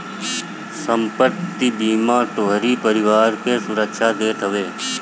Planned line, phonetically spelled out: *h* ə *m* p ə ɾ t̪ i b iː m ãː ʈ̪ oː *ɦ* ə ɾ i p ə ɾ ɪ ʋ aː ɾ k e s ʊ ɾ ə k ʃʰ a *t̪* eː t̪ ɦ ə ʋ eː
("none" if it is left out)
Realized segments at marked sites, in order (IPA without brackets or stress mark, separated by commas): s, m, ɦ, d̪